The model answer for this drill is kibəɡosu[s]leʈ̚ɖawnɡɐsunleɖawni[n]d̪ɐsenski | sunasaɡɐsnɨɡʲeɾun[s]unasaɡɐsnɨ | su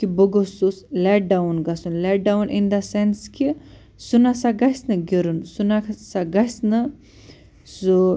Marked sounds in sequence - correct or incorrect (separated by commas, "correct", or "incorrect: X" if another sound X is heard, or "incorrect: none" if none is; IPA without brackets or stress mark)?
correct, correct, correct